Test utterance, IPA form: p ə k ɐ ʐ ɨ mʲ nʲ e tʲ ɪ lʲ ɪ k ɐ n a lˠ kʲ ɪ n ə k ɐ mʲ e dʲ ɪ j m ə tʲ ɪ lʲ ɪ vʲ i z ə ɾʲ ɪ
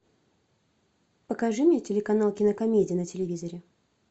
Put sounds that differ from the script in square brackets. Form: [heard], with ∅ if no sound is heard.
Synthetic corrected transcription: p ə k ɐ ʐ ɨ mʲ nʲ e tʲ ɪ lʲ ɪ k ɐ n a lˠ kʲ ɪ n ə k ɐ mʲ e dʲ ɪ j [n] ə tʲ ɪ lʲ ɪ vʲ i z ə ɾʲ ɪ